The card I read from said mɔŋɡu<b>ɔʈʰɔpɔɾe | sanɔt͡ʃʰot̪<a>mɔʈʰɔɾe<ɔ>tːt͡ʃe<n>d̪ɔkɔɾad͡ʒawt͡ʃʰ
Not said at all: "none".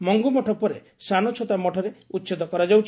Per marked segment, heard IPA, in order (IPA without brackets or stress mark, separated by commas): m, a, u, none